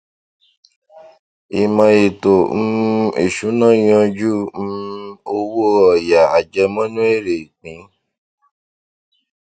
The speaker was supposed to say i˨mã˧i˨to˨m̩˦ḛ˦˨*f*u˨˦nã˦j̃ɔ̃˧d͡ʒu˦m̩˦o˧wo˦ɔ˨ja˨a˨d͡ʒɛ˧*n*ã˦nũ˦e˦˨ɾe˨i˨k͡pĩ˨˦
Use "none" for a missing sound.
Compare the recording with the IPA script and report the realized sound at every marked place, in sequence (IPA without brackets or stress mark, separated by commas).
ʃ, m